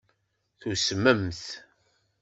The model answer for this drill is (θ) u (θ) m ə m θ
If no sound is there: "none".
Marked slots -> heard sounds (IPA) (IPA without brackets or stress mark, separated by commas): θ, s